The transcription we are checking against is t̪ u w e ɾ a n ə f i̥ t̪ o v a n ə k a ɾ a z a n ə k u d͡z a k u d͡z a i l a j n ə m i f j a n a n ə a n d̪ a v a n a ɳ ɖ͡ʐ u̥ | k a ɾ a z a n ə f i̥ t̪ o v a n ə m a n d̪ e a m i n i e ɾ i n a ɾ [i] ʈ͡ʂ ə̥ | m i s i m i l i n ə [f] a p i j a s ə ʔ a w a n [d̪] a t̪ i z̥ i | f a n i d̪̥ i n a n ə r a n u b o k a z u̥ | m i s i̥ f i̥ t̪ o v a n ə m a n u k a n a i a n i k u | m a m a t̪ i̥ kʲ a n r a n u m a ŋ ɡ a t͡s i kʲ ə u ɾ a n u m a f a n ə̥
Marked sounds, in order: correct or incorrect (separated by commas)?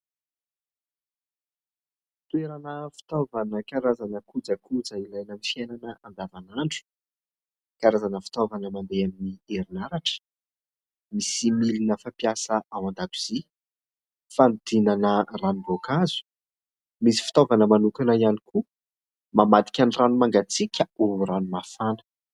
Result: incorrect, correct, correct